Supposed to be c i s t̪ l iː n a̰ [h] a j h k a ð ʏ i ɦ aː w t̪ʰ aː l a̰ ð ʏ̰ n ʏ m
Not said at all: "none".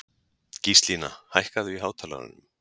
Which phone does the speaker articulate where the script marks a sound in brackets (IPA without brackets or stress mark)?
h